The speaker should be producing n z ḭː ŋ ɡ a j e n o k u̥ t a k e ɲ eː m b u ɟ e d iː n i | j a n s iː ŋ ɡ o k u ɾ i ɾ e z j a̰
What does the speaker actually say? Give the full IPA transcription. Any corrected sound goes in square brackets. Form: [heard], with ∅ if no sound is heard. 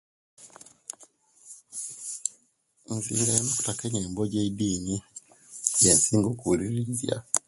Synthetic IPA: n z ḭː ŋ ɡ a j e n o k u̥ t a k e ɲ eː m b [o] ɟ e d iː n i | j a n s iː ŋ ɡ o k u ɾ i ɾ [i] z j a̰